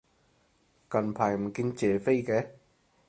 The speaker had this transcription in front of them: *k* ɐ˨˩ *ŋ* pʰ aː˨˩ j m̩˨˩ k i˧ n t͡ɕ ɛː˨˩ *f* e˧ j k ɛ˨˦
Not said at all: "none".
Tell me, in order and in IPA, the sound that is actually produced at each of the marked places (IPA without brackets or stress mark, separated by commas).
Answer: k, n, f